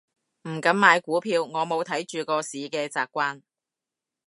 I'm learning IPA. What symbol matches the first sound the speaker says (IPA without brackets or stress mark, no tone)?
m̩